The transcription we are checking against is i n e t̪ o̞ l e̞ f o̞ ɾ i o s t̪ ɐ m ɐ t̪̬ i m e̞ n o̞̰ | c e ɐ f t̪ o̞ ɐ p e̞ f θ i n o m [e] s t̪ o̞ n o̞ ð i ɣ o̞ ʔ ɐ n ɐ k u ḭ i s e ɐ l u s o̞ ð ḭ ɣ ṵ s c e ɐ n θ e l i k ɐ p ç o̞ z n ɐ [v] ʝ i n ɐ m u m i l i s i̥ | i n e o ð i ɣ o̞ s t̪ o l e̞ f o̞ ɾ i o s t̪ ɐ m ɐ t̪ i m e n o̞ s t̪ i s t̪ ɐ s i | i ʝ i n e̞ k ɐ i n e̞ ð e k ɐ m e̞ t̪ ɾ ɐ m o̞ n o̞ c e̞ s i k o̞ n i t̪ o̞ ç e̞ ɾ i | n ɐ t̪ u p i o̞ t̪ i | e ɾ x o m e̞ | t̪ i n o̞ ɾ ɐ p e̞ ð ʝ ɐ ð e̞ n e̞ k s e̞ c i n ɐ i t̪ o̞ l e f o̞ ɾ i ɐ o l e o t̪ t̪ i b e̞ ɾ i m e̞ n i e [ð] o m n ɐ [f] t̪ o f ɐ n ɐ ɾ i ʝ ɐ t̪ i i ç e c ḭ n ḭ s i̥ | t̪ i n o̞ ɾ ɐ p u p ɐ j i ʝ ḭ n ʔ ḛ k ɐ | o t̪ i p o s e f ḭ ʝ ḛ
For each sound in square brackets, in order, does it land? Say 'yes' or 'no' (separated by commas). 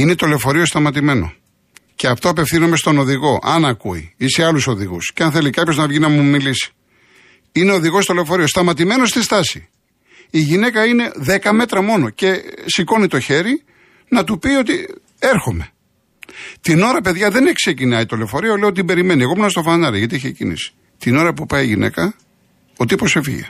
yes, yes, no, no